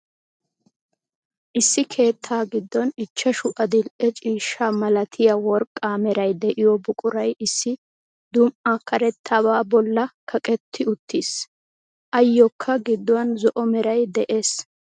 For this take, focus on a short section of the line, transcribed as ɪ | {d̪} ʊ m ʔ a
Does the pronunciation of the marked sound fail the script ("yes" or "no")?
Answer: no